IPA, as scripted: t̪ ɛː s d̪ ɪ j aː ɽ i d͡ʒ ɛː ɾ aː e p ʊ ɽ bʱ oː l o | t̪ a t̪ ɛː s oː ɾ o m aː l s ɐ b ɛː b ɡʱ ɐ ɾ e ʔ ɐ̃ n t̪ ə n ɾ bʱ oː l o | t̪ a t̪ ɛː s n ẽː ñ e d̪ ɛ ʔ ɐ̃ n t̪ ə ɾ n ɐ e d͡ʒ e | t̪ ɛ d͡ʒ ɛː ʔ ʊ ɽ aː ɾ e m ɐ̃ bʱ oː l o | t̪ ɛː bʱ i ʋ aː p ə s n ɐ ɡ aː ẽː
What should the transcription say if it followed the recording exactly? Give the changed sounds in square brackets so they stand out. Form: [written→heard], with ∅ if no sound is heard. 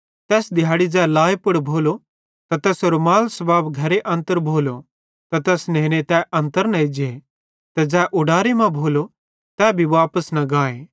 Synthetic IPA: t̪ ɛː s d̪ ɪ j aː ɽ i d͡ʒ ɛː [ɾ→l] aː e p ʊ ɽ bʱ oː l o | t̪ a t̪ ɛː s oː ɾ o m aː l s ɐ b [ɛː→aː] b ɡʱ ɐ ɾ e ʔ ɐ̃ n t̪ ə [n→∅] ɾ bʱ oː l o | t̪ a t̪ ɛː s n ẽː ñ e [d̪→t̪] ɛ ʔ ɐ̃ n t̪ ə ɾ n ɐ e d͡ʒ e | t̪ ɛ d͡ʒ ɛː ʔ ʊ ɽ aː ɾ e m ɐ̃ bʱ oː l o | t̪ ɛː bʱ i ʋ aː p ə s n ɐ ɡ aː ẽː